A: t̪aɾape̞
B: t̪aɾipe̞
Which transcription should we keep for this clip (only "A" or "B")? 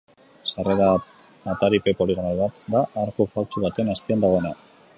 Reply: B